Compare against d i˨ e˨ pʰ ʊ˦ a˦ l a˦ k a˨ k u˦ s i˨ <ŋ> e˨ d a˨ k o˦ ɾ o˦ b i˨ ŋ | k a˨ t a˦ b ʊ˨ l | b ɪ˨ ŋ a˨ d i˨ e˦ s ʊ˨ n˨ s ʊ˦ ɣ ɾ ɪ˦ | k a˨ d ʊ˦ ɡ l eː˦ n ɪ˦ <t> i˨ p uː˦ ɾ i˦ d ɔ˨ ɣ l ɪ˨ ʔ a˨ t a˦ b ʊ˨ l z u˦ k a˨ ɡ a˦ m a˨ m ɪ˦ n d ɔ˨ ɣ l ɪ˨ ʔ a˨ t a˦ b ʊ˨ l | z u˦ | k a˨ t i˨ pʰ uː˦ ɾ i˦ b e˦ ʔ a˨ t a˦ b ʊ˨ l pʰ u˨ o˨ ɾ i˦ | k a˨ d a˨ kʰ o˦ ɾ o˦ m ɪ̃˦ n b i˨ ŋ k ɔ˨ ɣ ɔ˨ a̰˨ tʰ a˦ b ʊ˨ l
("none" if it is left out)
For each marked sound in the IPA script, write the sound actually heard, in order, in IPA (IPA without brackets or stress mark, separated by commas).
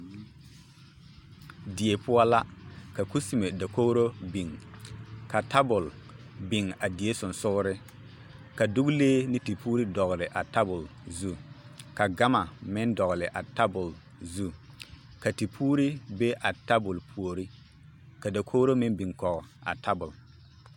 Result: m, t